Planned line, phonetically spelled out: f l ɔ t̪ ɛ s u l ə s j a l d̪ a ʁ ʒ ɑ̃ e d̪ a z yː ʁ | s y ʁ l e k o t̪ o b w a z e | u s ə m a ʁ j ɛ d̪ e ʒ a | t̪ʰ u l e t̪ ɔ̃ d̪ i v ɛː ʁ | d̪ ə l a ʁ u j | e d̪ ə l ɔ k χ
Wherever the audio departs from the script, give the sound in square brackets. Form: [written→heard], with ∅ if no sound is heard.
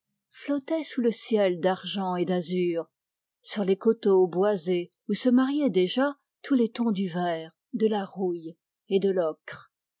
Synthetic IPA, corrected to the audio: f l ɔ t̪ ɛ s u l ə s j [a→ɛ] l d̪ a ʁ ʒ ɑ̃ e d̪ a z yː ʁ | s y ʁ l e k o t̪ o b w a z e | u s ə m a ʁ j ɛ d̪ e ʒ a | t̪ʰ u l e t̪ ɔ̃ d̪ [i→y] v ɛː ʁ | d̪ ə l a ʁ u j | e d̪ ə l ɔ k χ